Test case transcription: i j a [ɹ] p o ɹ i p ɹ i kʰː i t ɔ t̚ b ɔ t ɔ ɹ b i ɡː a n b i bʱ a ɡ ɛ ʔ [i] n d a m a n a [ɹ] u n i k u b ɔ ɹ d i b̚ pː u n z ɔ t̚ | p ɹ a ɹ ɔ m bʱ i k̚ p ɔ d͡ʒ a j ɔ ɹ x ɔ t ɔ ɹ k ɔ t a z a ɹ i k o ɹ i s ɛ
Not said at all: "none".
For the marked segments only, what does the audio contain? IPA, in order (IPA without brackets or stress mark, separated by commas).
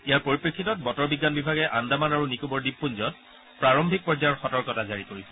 ɹ, a, ɹ